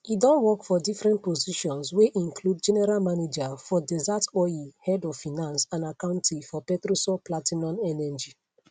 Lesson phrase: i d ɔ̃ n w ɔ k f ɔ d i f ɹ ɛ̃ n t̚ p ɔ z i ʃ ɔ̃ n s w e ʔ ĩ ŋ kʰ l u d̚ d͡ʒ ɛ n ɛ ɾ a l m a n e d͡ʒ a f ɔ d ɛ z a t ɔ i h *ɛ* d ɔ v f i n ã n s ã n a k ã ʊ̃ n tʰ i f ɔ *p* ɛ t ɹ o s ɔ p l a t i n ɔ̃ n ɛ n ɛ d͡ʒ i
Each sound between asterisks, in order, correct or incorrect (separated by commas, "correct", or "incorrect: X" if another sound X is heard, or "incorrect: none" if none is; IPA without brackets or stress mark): correct, correct